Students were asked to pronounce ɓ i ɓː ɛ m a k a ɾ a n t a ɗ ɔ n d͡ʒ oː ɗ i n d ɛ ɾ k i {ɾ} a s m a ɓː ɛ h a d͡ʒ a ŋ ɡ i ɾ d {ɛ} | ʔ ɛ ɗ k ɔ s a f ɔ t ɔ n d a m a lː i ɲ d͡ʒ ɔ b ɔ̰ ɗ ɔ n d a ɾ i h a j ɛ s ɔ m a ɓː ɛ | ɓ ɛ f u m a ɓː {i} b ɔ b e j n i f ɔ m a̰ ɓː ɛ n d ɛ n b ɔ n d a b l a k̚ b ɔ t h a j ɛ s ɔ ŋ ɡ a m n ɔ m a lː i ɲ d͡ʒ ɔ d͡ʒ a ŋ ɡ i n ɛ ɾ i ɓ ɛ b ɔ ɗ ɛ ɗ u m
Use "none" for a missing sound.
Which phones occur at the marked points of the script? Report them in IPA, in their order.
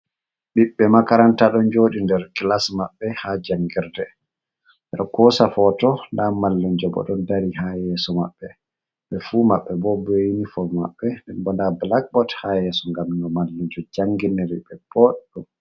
l, ɛ, ɛ

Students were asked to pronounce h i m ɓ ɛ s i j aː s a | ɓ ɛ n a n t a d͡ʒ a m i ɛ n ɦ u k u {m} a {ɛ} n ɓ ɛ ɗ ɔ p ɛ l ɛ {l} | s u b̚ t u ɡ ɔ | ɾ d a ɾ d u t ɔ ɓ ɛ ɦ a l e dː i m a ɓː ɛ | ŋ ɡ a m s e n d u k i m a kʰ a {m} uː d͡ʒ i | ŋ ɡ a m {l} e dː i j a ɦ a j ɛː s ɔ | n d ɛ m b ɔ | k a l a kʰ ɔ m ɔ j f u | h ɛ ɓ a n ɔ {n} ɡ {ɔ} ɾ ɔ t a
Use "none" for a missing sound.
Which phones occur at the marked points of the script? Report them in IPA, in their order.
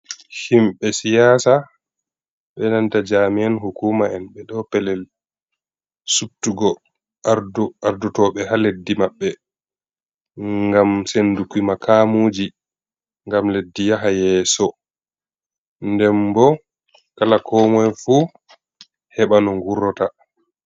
m, ɛ, l, m, l, ŋ, u

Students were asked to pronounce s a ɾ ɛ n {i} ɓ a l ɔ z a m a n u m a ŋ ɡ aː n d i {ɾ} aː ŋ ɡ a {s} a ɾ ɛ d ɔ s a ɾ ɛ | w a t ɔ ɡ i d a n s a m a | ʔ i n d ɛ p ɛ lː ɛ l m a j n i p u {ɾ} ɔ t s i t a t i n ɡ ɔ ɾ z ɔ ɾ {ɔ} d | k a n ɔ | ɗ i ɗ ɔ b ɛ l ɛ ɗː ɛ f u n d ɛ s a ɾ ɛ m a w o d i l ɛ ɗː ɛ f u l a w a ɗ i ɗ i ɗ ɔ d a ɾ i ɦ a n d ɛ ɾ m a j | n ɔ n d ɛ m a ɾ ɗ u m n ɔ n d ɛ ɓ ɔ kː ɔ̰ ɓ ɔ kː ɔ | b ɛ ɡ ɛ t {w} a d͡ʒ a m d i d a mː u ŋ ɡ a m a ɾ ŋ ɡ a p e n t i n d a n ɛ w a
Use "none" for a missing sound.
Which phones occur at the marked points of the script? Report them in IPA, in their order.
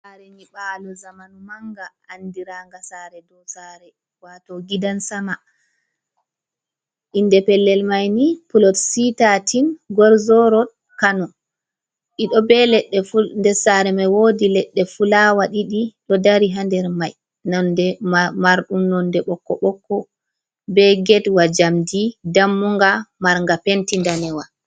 i, ɾ, s, l, ɔ, w

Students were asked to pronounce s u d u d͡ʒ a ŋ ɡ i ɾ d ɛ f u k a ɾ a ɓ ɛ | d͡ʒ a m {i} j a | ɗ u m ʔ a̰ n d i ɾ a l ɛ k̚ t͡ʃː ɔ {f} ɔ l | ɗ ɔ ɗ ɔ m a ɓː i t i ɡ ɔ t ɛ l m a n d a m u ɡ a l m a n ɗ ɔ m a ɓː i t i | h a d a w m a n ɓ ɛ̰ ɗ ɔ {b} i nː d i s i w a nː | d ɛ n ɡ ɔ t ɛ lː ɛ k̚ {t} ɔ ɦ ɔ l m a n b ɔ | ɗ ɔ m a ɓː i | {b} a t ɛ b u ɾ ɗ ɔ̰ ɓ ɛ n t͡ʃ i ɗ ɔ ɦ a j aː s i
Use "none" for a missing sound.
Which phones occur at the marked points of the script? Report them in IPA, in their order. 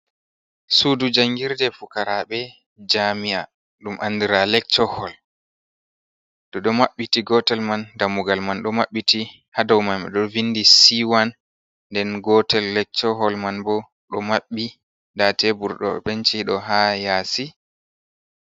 i, h, v, t͡ʃ, d

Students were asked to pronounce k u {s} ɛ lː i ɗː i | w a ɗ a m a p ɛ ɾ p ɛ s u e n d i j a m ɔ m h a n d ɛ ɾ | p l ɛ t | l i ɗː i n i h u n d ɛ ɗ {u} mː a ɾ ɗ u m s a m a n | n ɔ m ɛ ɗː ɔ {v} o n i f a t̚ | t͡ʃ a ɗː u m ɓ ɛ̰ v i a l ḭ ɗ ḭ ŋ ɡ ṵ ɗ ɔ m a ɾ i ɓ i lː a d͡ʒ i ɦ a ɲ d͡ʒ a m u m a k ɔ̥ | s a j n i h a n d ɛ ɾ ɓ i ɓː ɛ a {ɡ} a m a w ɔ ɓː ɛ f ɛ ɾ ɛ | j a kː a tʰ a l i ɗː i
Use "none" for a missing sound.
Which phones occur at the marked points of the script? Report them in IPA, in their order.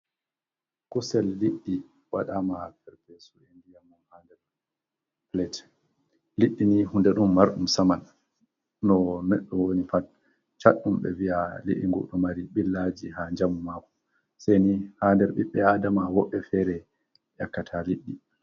s, u, w, d

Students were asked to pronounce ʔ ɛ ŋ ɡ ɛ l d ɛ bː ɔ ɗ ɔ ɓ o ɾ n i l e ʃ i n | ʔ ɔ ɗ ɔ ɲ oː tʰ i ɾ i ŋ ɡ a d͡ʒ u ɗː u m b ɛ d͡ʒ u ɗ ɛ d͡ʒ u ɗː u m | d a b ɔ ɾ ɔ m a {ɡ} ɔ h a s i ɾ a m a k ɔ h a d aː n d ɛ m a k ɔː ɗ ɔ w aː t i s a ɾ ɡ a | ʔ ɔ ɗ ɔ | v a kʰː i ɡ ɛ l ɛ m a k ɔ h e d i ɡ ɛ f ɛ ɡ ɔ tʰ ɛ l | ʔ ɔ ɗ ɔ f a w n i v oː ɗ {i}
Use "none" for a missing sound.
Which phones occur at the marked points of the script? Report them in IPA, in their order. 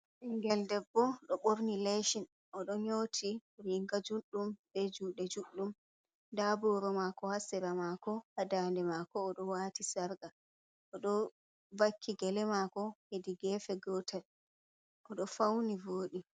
k, i

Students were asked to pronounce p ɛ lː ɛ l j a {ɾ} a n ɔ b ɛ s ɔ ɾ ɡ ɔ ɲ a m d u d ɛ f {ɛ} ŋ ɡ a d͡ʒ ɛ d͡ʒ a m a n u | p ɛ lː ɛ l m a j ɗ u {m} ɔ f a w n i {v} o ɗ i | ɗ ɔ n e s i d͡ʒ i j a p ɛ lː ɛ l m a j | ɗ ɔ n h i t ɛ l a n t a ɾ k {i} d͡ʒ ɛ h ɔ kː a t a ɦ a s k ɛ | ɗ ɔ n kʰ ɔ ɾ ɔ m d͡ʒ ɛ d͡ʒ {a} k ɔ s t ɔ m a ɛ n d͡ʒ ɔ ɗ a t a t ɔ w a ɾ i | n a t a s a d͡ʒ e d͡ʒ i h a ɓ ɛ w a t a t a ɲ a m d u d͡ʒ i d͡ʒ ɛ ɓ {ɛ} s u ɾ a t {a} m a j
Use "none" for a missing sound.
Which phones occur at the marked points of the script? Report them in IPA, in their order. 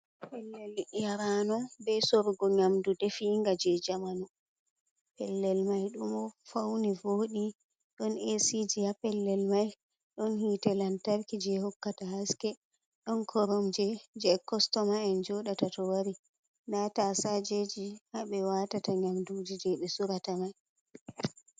ɾ, i, m, v, i, ɛ, ɛ, a

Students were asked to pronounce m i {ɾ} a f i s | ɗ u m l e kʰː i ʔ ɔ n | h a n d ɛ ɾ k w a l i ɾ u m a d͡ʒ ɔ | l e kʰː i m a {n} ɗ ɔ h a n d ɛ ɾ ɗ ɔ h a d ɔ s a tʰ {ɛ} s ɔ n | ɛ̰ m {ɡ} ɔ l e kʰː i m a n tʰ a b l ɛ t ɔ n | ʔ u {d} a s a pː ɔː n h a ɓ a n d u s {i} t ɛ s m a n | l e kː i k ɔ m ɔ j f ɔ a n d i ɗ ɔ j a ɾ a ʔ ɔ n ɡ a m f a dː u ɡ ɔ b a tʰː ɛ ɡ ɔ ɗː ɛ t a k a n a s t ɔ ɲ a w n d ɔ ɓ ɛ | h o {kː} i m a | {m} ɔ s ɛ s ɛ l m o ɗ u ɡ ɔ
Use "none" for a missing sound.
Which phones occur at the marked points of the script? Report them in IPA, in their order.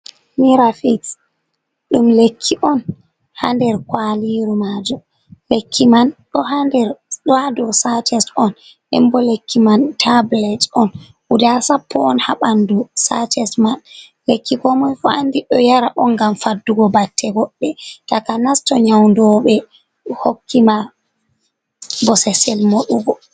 ɾ, n, ɛ, b, d, a, kː, b

